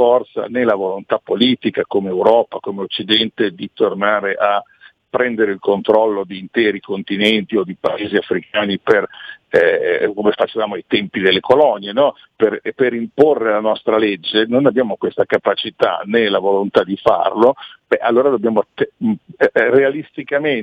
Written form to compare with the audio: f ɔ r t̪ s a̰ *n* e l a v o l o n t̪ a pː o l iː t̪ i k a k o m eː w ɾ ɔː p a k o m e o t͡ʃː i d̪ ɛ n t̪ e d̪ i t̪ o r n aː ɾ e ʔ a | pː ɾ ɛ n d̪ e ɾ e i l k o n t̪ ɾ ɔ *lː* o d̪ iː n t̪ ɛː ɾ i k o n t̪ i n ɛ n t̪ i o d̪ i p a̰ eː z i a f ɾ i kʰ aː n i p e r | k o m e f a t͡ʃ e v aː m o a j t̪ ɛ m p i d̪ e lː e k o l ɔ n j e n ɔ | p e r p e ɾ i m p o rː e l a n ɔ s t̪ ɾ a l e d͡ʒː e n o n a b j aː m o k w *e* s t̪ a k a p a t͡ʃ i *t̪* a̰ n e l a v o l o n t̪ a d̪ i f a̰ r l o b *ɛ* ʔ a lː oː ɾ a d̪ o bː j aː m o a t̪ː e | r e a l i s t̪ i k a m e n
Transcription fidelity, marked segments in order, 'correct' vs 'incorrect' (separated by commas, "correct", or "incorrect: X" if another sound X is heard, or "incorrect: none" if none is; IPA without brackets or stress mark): correct, correct, correct, correct, correct